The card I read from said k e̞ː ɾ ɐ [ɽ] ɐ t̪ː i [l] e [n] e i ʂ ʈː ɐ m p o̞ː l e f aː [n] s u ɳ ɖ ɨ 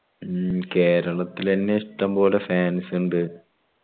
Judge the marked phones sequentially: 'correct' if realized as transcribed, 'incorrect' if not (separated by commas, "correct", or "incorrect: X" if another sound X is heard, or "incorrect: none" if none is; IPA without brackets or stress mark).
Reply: incorrect: ɭ, correct, incorrect: nː, correct